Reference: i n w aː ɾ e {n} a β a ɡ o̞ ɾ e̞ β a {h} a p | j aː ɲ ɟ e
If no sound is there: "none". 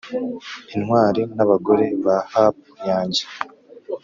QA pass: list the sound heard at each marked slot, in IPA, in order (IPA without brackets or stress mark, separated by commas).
n, h